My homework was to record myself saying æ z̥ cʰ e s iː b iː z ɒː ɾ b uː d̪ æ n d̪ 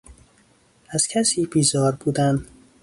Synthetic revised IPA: æ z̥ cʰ æ s iː b iː z ɒː ɾ b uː d̪ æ n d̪